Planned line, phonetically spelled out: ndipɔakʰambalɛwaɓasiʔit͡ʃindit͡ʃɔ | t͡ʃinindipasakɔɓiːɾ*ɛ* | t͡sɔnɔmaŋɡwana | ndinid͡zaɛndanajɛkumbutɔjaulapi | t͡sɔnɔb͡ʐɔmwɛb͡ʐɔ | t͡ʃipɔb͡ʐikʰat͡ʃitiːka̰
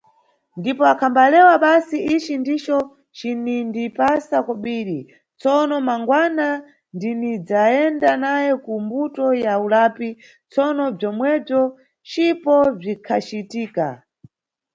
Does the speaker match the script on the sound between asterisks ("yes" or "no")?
no